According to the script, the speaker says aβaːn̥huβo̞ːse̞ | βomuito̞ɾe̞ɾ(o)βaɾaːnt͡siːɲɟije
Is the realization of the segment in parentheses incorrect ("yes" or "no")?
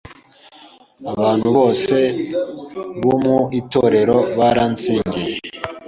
no